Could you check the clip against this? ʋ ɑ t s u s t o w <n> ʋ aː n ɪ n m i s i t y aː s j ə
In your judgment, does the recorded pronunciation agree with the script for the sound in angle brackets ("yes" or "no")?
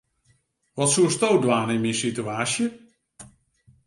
no